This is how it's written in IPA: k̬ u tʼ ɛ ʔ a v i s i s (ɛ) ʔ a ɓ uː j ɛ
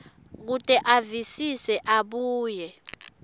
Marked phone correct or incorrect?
correct